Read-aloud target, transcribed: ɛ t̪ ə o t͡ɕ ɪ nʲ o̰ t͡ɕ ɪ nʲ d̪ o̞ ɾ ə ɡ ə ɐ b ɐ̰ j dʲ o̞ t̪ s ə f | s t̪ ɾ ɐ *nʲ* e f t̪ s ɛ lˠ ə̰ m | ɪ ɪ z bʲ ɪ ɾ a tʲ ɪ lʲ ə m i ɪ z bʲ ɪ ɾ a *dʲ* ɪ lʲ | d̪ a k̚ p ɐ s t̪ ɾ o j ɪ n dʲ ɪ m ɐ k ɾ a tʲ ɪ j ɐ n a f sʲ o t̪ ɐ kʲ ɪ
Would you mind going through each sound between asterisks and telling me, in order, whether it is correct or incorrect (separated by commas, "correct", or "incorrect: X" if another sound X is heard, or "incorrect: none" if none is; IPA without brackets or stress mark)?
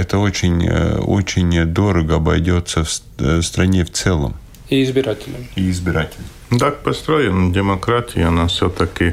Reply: correct, incorrect: tʲ